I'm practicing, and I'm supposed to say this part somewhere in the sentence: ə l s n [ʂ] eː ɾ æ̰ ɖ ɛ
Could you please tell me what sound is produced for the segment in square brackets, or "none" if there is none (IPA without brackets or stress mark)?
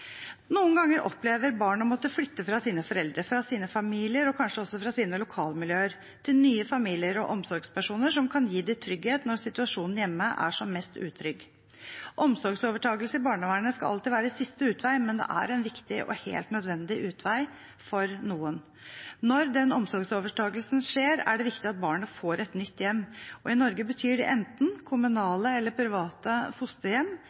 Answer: ʂ